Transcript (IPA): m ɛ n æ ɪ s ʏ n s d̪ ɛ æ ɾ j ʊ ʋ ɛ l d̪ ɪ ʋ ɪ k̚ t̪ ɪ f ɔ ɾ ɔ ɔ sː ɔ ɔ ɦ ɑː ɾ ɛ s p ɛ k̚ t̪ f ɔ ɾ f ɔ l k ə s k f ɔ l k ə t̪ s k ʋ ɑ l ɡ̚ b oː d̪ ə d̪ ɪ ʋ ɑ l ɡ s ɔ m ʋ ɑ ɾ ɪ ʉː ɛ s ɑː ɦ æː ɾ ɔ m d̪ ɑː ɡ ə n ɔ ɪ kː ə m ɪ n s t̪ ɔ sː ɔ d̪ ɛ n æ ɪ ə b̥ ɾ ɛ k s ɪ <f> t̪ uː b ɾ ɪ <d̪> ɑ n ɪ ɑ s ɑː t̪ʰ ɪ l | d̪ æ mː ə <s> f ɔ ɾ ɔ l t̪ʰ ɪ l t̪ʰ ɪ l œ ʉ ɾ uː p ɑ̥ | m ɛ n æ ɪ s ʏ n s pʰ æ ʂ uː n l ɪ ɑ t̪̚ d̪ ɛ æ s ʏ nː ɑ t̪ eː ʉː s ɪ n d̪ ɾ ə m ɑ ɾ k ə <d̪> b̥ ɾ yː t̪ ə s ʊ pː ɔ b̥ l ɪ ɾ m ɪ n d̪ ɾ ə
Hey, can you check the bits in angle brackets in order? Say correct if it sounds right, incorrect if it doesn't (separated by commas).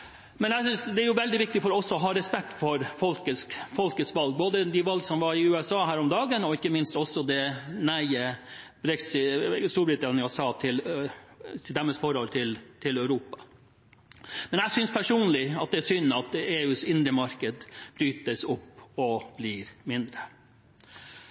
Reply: incorrect, incorrect, correct, correct